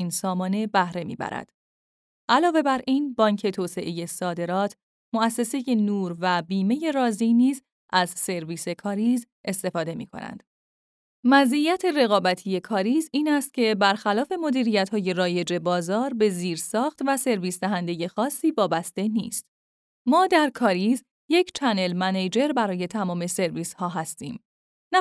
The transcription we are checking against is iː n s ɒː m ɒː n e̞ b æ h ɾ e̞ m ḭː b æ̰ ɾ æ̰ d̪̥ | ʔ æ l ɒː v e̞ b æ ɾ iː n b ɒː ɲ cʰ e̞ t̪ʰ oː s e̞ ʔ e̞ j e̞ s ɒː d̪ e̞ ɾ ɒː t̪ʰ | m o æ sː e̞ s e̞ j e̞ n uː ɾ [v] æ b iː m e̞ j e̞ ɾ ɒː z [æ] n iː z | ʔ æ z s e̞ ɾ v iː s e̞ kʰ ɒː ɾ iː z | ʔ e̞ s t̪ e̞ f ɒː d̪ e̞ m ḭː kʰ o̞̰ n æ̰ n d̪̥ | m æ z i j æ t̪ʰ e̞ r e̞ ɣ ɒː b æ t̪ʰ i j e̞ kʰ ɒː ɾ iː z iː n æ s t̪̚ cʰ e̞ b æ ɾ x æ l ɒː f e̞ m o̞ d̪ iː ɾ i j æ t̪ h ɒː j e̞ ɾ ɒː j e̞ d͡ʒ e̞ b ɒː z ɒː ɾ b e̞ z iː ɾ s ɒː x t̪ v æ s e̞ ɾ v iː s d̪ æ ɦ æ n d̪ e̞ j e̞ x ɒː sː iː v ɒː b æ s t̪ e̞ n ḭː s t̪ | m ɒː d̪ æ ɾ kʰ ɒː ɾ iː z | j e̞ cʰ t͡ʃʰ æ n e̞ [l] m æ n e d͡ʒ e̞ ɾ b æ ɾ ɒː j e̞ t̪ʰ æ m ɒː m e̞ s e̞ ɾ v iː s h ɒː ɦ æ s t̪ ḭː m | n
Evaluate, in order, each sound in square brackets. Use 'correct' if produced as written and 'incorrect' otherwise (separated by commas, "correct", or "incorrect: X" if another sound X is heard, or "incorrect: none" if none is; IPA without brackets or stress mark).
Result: correct, incorrect: i, correct